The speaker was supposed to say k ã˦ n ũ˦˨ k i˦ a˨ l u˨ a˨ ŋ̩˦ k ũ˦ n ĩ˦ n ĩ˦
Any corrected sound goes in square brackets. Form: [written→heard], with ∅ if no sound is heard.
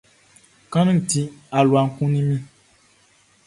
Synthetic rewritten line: k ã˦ n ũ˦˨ [k→t] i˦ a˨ l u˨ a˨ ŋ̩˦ k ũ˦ n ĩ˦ [n→m] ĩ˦